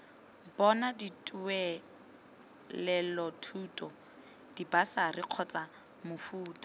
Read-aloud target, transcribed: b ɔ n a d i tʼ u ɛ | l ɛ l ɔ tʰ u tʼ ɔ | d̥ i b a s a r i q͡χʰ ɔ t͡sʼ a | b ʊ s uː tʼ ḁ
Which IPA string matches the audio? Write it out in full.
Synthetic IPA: b ɔ n a d i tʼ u ɛ | l ɛ l ɔ tʰ u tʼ ɔ | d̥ i b a s a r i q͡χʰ ɔ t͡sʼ a | m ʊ f uː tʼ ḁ